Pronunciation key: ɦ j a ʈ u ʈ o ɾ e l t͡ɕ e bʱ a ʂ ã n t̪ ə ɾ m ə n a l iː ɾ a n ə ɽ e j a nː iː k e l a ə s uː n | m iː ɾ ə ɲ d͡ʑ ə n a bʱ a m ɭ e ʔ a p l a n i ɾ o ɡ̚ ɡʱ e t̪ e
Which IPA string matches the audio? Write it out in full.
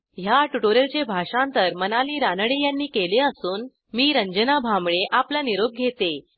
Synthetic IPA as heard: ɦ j a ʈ u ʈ o ɾ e l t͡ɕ e bʱ a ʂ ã n t̪ ə ɾ m ə n a l iː ɾ a n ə ɽ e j a nː iː k e l e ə s uː n | m iː ɾ ə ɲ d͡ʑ ə n a bʱ a m ɭ e ʔ a p l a n i ɾ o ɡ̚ ɡʱ e t̪ e